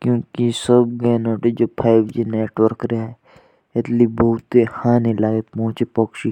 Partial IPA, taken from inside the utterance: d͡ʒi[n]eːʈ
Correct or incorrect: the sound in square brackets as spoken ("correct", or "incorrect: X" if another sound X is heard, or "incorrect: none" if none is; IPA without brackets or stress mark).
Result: correct